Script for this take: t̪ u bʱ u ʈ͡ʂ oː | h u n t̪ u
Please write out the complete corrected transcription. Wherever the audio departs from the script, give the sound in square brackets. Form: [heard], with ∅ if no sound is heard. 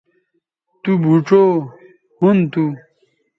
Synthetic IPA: t̪ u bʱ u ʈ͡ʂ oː | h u n t̪ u